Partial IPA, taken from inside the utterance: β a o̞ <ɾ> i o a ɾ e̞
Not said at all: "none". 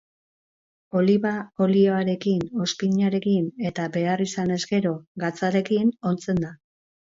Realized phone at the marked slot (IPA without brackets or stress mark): l